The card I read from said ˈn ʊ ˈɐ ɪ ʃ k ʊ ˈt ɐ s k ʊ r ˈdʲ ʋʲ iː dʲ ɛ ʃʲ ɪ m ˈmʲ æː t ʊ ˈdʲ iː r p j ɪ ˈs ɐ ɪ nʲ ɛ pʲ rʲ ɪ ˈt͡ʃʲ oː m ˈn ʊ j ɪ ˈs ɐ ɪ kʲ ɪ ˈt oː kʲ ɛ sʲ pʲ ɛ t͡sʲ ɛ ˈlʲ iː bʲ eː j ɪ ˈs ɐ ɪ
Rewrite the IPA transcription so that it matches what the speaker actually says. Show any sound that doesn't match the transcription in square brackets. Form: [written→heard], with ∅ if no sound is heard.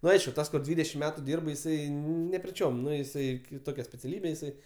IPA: ˈn ʊ ˈɐ ɪ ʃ k ʊ ˈt ɐ s k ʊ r ˈdʲ ʋʲ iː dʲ ɛ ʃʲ ɪ m ˈmʲ æː t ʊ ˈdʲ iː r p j ɪ ˈs ɐ ɪ nʲ ɛ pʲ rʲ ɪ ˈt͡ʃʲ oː m ˈn ʊ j ɪ ˈs ɐ ɪ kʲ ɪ ˈt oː kʲ ɛ sʲ pʲ ɛ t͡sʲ ɛ ˈlʲ iː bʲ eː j ɪ ˈs ɐ ɪ

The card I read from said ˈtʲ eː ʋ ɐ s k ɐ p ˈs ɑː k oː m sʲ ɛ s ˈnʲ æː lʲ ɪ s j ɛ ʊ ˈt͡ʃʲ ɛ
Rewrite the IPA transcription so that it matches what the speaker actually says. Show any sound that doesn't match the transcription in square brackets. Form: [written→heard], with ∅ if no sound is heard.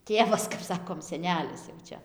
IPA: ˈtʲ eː ʋ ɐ s k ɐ p ˈs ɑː k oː m sʲ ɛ [s→∅] ˈnʲ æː lʲ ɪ s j ɛ ʊ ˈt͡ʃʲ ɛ

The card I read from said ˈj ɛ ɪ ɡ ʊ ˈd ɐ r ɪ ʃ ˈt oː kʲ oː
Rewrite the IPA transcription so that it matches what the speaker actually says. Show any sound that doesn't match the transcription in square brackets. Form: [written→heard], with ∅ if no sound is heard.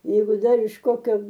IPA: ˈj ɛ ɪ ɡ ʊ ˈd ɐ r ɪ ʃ [ˈt→ˈk] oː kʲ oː

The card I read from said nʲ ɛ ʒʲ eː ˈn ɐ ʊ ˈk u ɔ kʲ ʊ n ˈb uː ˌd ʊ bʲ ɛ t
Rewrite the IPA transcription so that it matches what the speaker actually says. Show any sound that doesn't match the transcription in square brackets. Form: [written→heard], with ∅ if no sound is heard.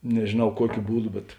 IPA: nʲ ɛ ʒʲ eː ˈn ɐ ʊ ˈk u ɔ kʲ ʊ [n→∅] ˈb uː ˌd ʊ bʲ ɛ t

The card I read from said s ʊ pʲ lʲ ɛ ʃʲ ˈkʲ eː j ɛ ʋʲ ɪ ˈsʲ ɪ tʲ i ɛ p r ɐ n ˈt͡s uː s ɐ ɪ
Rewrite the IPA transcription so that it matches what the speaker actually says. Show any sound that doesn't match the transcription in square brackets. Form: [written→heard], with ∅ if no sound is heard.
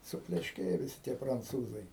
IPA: s ʊ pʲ lʲ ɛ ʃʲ ˈkʲ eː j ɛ ʋʲ ɪ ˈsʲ ɪ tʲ i ɛ p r ɐ n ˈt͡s uː [s→z] ɐ ɪ

